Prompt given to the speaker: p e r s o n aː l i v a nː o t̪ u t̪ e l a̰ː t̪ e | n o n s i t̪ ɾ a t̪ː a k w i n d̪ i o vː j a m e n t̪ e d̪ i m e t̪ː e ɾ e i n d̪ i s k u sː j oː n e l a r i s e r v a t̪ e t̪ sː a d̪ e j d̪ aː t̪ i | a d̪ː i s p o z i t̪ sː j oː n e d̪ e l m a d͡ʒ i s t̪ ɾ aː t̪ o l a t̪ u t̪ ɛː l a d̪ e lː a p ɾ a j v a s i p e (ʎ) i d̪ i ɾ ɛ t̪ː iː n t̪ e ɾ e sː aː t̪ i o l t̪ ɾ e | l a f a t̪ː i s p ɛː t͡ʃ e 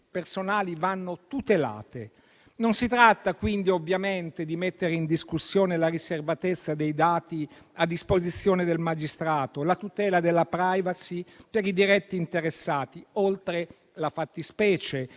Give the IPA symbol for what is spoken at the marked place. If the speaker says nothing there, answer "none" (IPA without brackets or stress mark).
ɾ